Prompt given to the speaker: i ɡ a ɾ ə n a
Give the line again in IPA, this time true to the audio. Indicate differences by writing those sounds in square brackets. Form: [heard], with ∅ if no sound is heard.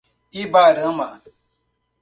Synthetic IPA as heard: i [b] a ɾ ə [m] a